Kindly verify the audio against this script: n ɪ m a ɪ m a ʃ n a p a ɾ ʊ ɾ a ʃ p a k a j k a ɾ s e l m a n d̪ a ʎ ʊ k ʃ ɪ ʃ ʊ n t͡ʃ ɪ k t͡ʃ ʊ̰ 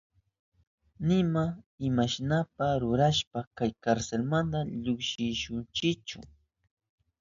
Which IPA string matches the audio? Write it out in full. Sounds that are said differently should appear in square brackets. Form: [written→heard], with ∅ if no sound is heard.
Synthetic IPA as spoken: n ɪ m a ɪ m a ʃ n a p a ɾ ʊ ɾ a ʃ p a k a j k a ɾ s e l m a n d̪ a ʎ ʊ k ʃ ɪ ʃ ʊ n t͡ʃ ɪ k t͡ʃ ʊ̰